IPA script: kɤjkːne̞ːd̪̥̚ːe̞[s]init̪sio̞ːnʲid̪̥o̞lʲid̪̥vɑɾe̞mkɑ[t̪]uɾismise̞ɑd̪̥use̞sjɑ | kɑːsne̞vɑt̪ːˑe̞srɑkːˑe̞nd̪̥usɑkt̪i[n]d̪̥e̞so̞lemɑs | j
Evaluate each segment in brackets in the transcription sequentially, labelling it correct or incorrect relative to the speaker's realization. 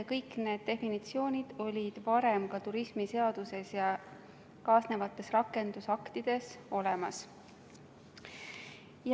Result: incorrect: f, correct, incorrect: none

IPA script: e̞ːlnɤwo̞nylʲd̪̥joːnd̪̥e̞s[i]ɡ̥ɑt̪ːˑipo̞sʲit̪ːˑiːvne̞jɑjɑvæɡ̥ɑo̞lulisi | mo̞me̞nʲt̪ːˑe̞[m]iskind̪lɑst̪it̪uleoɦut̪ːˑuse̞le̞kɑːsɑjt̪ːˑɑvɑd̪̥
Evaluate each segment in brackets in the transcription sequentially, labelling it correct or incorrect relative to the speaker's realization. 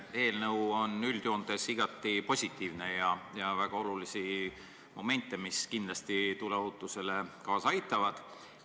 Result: correct, correct

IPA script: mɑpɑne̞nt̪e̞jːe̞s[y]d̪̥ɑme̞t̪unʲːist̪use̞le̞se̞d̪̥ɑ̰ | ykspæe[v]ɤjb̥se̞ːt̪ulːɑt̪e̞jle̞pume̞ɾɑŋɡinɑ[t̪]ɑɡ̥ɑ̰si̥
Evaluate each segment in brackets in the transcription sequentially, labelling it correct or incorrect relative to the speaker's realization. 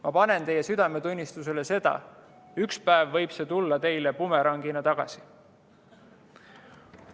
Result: correct, incorrect: vː, correct

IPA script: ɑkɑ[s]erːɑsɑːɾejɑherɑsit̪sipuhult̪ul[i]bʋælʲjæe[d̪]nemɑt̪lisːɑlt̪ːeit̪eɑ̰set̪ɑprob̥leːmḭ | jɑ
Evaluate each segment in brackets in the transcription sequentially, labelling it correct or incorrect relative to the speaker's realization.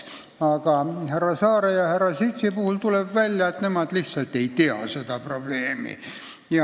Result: incorrect: h, incorrect: e, incorrect: t̪

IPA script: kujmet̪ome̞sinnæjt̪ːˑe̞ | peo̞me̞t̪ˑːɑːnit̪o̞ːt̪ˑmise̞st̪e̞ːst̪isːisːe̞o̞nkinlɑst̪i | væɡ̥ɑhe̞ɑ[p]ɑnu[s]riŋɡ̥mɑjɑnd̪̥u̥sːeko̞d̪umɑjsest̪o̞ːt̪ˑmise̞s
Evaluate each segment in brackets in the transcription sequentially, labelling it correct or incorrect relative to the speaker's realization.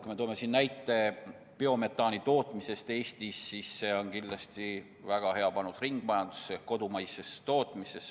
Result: correct, correct

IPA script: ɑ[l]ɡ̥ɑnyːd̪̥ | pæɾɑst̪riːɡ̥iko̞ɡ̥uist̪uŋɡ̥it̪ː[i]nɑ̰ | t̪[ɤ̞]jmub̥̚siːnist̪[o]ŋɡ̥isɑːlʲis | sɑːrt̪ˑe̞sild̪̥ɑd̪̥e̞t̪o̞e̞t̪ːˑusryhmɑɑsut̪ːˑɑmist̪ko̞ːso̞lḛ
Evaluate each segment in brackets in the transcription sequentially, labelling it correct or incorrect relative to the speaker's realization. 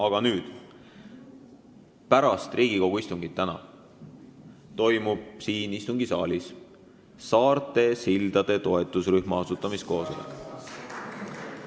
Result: incorrect: none, incorrect: æ, incorrect: o̞, incorrect: u

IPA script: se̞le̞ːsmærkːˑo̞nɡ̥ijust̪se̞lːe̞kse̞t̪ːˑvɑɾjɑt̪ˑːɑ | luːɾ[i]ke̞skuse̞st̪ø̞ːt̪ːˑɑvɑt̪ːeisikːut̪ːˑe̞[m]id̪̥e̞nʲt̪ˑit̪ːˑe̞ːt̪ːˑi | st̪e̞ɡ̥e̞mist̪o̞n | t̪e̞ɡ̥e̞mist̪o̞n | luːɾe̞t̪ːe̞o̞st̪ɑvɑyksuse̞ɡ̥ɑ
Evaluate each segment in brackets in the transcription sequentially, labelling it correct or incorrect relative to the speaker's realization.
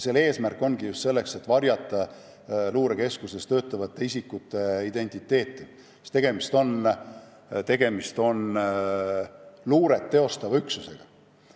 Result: incorrect: e, incorrect: none

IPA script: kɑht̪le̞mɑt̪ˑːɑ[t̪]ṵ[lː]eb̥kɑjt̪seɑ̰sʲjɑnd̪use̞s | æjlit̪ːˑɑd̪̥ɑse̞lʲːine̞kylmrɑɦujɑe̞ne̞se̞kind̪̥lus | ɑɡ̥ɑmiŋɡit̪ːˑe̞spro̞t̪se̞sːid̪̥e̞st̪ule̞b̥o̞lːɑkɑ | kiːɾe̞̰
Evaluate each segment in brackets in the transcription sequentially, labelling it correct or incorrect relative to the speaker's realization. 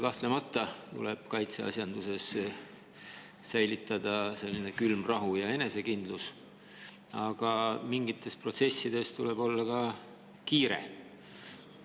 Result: correct, incorrect: l

